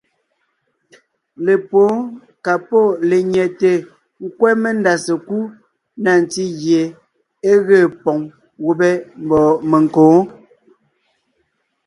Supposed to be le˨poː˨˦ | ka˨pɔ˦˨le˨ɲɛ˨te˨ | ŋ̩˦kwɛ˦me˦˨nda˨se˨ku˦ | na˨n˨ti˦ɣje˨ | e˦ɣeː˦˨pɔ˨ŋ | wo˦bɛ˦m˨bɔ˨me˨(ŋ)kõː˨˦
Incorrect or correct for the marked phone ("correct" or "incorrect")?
correct